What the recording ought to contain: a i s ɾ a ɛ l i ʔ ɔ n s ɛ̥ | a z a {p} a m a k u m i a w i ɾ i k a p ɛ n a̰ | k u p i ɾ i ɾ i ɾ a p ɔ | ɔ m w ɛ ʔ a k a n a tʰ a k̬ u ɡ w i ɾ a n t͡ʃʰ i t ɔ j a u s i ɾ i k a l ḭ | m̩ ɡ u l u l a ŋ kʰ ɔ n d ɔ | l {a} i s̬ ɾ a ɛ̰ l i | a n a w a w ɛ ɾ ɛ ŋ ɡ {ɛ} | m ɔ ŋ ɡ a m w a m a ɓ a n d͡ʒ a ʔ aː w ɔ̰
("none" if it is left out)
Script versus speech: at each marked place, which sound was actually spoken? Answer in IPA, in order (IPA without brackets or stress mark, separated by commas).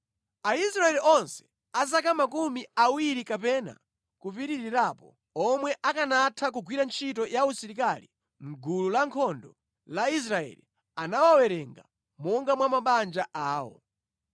k, a, a